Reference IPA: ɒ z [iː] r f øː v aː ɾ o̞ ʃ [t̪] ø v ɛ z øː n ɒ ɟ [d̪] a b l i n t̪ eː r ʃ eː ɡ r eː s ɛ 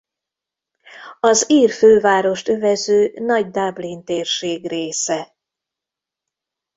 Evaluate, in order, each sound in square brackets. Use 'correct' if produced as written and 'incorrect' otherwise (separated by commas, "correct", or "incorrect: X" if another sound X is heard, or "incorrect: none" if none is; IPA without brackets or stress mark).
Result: correct, correct, correct